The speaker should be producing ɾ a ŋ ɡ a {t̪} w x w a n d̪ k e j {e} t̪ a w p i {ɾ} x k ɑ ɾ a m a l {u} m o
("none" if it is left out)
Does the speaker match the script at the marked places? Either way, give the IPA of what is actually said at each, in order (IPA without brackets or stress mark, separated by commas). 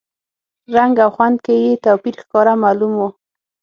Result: none, e, ɾ, u